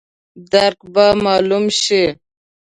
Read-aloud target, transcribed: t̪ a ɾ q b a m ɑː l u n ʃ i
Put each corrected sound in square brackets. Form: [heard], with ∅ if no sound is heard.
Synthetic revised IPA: [d̪] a ɾ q b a m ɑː l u [m] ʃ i